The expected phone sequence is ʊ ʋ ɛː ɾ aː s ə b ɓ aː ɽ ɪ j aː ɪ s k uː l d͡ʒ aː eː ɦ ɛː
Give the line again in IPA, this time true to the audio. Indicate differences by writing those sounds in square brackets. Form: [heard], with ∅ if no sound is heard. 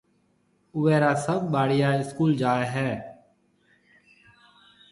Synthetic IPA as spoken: ʊ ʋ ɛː ɾ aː s ə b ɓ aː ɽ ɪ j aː ɪ s k uː l d͡ʒ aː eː ɦ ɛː